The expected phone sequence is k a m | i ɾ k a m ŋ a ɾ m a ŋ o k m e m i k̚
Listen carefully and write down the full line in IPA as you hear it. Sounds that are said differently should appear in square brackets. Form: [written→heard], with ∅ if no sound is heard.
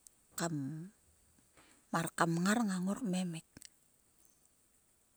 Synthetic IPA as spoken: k a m | [i→a] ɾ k a m ŋ a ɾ [m→ŋ] a ŋ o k m e m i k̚